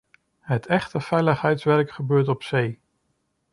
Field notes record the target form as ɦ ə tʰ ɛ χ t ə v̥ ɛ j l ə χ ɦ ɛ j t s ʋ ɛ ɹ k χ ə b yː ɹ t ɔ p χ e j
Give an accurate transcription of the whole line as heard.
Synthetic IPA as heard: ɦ ə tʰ ɛ χ t ə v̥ ɛ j l ə χ ɦ ɛ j t s ʋ ɛ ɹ k χ ə b øː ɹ t ɔ p s e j